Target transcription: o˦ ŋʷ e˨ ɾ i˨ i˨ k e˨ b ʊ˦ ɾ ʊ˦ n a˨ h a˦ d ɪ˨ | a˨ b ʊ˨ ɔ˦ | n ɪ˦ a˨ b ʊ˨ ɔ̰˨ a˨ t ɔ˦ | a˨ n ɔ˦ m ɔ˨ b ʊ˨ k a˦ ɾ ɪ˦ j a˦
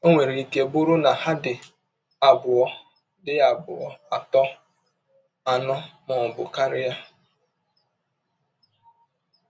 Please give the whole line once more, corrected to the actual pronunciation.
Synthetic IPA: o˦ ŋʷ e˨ ɾ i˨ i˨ k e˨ b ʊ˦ ɾ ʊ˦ n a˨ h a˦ d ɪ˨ | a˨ b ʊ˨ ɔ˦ | d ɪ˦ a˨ b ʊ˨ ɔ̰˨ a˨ t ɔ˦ | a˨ n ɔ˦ m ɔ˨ b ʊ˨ k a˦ ɾ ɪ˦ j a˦